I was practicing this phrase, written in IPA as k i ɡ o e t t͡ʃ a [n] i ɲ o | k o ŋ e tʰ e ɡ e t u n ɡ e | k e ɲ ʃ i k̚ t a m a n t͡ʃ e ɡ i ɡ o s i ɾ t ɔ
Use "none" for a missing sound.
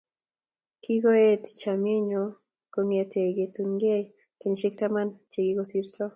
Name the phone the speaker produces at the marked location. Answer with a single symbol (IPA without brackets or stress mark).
m